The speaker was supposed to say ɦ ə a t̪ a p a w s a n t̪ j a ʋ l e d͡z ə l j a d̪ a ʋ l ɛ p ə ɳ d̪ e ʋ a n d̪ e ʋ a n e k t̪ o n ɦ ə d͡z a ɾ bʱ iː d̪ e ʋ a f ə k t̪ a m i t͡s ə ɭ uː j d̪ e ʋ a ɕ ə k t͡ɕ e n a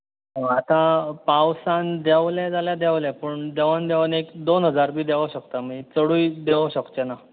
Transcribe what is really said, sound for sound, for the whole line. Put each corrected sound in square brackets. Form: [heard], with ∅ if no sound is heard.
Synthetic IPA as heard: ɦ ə a t̪ a p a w s a n [d̪] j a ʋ l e d͡z [a] l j a d̪ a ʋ l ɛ p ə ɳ d̪ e ʋ a n d̪ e ʋ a n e k [d̪] o n ɦ ə d͡z a ɾ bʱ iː d̪ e ʋ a [ɕ] ə k t̪ a m i t͡s ə [ɽ] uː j d̪ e ʋ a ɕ ə k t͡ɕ e n a